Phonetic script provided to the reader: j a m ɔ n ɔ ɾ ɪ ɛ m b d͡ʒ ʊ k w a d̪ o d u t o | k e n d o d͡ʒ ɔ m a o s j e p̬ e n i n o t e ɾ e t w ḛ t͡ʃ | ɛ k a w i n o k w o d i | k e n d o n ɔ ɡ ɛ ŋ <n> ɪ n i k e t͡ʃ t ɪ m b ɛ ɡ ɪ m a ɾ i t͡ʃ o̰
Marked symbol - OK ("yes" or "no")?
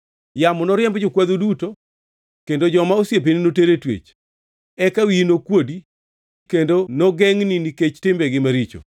yes